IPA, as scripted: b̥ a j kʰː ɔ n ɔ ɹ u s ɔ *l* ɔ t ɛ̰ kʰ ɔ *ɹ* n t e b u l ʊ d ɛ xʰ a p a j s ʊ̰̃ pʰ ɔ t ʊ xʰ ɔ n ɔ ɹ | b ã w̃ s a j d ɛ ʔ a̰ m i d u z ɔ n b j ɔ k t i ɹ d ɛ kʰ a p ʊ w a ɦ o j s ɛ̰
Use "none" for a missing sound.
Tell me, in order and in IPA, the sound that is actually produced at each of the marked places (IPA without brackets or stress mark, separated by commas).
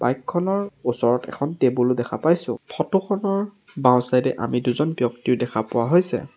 ɹ, none